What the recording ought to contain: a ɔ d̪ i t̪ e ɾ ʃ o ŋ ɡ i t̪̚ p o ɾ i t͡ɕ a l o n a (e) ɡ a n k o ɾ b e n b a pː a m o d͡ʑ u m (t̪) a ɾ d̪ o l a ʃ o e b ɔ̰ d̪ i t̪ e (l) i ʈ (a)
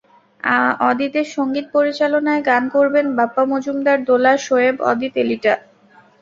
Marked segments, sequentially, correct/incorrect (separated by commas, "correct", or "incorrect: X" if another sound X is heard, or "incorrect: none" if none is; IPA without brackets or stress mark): correct, incorrect: d̪, correct, correct